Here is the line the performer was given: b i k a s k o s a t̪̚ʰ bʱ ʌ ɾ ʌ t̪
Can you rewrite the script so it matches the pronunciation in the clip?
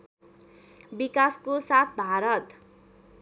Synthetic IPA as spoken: b i k a s k o s a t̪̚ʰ bʱ a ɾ ʌ t̪

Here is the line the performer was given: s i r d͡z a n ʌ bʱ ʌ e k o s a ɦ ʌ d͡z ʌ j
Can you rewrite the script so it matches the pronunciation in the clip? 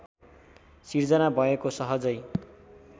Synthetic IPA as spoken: s i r d͡z ʌ n a bʱ ʌ e k o s ʌ ɦ ʌ d͡z ʌ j

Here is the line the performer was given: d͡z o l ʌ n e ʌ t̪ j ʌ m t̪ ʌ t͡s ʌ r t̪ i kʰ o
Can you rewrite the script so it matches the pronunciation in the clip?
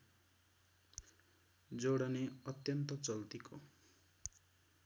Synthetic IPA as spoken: d͡z o ɽ ʌ n e ʌ t̪ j ʌ n t̪ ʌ t͡s ʌ l t̪ i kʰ o

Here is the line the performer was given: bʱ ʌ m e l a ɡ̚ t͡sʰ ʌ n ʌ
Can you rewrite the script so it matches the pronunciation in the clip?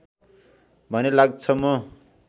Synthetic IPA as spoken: bʱ ʌ n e l a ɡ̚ t͡sʰ ʌ m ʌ

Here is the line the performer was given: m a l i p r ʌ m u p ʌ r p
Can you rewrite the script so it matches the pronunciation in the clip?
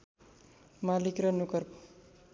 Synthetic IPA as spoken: m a l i k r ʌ n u k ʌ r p

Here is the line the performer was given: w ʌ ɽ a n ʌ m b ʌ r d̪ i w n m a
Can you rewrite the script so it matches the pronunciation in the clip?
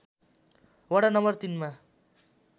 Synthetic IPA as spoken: w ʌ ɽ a n ʌ m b ʌ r t̪ i n m a

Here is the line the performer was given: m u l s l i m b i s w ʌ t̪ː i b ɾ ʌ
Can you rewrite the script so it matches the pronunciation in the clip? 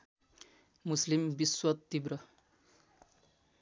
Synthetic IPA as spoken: m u s l i m b i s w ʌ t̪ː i b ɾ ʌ

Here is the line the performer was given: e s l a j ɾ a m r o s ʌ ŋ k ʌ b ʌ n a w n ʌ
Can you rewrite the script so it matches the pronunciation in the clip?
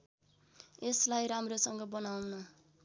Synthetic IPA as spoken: e s l a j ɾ a m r o s ʌ ŋ ɡ ʌ b ʌ n a w n ʌ

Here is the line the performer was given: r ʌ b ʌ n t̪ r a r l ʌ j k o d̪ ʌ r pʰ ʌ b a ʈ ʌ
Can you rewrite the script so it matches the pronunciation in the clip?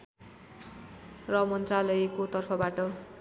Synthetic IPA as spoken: r ʌ m ʌ n t̪ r a l ʌ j k o t̪ ʌ r pʰ ʌ b a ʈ ʌ

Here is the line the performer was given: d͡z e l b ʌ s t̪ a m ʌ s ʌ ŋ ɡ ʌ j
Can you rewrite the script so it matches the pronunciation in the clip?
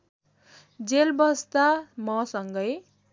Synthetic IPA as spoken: d͡z e l b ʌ s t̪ a m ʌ s ʌ ŋ ɡ ʌ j

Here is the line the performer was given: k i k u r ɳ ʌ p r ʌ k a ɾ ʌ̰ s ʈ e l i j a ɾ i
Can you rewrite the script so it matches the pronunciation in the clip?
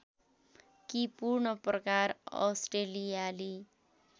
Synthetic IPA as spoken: k i p u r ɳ ʌ p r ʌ k a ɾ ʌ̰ s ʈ e l i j a l i

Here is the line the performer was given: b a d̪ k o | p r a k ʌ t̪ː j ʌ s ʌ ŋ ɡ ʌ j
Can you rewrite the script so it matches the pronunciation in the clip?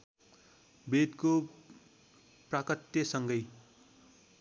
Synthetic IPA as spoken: b e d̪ k o | p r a k ʌ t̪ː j ʌ s ʌ ŋ ɡ ʌ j

